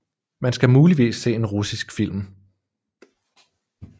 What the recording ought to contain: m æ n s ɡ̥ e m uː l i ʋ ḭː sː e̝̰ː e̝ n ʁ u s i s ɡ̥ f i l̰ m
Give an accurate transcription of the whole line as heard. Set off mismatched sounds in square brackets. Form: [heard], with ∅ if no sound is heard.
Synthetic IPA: m æ n s ɡ̥ [æ] m uː l i ʋ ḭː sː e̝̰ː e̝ n ʁ u s i s ɡ̥ f i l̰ m